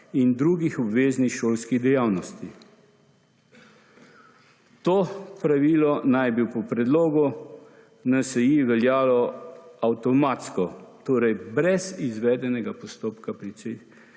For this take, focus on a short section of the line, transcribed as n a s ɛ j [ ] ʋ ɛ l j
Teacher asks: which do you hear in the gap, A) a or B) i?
B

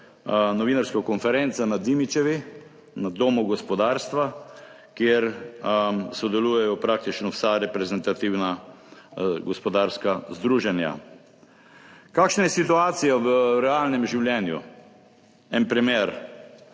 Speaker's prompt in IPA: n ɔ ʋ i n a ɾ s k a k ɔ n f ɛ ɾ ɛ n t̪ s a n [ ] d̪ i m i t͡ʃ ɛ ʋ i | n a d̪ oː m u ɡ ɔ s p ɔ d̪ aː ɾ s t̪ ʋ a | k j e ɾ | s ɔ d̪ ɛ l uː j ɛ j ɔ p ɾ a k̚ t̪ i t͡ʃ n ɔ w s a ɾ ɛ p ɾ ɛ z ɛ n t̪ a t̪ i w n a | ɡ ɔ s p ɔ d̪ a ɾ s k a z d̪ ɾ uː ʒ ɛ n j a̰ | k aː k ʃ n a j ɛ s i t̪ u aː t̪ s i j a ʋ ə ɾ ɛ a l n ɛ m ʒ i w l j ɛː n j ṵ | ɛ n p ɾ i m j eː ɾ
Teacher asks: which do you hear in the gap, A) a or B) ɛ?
A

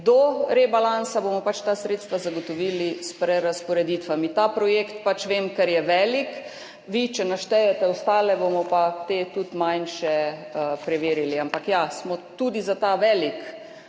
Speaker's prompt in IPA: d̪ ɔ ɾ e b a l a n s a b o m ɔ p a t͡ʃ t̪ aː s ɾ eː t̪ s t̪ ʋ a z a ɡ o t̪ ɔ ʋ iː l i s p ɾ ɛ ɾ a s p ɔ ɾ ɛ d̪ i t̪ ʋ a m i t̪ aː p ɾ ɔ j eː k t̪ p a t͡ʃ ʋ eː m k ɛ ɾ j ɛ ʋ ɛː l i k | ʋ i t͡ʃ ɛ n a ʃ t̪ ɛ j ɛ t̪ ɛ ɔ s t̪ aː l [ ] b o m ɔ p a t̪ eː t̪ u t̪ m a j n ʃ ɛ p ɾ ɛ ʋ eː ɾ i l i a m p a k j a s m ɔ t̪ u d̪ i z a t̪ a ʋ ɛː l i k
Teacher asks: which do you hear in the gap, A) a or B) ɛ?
B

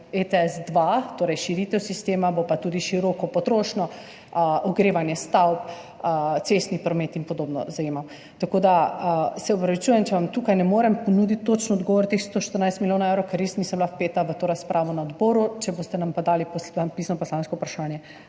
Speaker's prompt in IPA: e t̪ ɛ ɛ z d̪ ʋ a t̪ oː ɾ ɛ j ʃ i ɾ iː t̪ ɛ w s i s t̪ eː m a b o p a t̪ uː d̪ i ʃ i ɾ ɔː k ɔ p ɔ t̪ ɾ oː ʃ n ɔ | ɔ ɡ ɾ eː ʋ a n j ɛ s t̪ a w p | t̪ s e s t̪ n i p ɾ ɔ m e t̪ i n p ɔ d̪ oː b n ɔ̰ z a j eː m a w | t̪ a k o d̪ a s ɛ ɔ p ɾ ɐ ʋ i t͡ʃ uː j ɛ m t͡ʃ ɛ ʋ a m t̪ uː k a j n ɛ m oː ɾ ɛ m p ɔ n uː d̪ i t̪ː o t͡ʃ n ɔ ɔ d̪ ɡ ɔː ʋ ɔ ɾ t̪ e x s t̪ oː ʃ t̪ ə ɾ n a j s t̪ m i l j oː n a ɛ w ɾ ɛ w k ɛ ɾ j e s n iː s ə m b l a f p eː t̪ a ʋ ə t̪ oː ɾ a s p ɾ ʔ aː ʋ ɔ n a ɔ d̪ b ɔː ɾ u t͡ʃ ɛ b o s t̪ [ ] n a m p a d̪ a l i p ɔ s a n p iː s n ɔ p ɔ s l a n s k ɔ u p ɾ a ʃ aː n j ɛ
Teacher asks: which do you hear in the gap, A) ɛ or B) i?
A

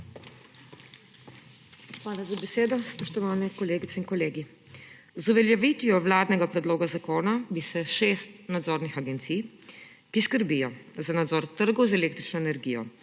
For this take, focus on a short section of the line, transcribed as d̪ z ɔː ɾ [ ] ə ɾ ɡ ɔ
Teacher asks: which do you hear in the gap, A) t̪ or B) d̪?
A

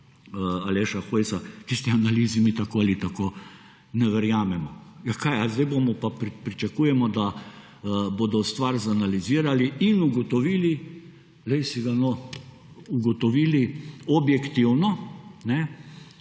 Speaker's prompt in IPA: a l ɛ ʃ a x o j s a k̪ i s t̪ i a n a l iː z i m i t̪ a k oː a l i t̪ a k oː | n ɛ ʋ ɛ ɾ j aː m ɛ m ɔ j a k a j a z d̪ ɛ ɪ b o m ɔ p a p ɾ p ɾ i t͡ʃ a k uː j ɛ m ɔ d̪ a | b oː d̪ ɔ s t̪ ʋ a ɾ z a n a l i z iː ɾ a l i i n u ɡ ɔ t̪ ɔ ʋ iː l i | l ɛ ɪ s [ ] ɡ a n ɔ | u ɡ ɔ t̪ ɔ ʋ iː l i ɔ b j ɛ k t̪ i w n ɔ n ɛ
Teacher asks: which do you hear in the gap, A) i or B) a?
A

